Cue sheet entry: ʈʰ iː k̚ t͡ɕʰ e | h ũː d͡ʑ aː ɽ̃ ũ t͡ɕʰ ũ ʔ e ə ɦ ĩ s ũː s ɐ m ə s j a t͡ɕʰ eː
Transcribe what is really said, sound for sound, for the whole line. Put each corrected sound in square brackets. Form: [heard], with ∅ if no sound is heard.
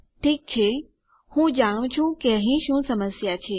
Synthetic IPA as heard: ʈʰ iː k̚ t͡ɕʰ e | h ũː d͡ʑ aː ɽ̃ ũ t͡ɕʰ ũ [k] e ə ɦ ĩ [ʃ] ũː s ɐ m ə s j a t͡ɕʰ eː